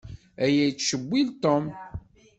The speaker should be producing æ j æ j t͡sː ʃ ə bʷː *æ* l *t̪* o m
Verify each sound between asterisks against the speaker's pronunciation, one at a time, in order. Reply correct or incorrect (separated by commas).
incorrect, correct